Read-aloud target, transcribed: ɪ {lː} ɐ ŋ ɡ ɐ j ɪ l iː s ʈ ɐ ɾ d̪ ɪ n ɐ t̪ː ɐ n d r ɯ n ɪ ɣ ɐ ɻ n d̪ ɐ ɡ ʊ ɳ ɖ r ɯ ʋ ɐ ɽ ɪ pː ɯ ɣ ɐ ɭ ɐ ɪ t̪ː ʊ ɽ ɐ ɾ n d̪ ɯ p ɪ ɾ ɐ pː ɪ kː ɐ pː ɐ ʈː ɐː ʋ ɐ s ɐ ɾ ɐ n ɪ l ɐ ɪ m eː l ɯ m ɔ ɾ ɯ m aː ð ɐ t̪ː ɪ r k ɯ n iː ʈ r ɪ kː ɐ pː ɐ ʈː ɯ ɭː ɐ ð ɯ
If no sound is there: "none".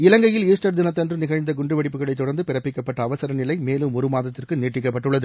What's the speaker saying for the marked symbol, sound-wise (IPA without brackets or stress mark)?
l